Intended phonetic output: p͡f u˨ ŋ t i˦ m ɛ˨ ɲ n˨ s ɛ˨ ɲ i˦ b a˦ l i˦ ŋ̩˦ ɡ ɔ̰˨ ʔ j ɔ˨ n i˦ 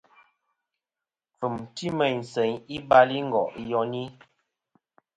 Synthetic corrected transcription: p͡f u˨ m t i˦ m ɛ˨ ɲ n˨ s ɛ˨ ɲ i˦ b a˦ l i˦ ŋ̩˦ ɡ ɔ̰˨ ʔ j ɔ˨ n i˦